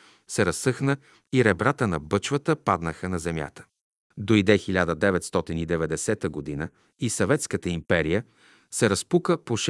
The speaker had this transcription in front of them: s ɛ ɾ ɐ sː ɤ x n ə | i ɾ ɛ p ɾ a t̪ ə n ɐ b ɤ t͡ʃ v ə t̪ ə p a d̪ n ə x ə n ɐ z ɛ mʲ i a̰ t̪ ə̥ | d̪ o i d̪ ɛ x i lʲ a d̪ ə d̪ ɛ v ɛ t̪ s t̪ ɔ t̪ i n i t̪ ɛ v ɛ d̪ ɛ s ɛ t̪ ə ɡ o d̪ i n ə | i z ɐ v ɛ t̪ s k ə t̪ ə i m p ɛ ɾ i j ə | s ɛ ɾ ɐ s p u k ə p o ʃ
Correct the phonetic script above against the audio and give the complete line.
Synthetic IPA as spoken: s ɛ ɾ ɐ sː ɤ x n ə | i ɾ ɛ b ɾ a t̪ ə n ɐ b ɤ t͡ʃ v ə t̪ ə p a d̪ n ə x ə n ɐ z ɛ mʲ j a̰ t̪ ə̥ | d̪ o i d̪ ɛ x i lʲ a d̪ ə d̪ ɛ v ɛ t̪ s t̪ ɔ t̪ i n i d̪ ɛ v ɛ d̪ ɛ s ɛ t̪ ə ɡ o d̪ i n ə | i s ɐ v ɛ t̪ s k ə t̪ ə i m p ɛ ɾ i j ə | s ɛ ɾ ɐ s p u k ə p o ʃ